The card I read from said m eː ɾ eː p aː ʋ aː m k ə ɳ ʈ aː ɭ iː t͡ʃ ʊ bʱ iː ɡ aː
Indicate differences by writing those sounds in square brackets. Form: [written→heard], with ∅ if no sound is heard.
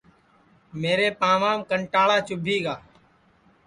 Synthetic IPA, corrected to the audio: m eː ɾ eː p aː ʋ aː m k ə ɳ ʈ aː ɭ [iː→aː] t͡ʃ ʊ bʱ iː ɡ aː